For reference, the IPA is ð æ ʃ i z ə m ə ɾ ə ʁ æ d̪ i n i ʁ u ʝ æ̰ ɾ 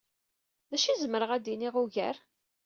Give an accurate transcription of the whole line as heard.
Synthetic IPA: ð æ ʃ i z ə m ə ɾ ə ʁ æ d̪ i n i ʁ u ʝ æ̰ ɾ